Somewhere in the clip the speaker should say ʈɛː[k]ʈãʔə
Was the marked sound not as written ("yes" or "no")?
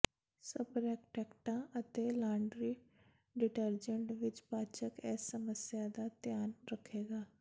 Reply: no